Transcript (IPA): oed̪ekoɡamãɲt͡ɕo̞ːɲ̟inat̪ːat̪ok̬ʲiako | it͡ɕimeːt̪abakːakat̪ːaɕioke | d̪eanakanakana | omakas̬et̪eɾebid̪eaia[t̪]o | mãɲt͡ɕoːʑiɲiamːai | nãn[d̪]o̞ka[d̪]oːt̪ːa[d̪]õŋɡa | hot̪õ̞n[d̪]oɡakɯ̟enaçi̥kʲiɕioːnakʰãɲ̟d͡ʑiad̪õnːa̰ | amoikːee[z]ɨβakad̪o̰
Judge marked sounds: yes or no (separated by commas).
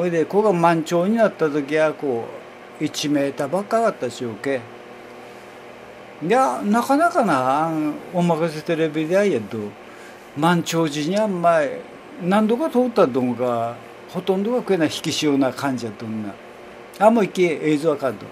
no, yes, no, yes, yes, yes